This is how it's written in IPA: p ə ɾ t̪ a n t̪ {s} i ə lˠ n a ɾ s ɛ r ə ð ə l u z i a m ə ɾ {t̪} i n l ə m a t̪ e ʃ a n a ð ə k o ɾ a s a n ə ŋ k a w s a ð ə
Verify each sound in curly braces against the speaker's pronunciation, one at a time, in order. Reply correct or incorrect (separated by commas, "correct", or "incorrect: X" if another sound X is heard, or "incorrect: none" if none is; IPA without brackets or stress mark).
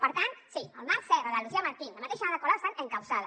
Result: correct, correct